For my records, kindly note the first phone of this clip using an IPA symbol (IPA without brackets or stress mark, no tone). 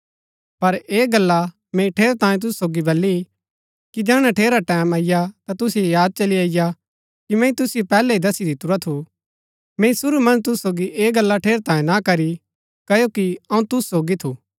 p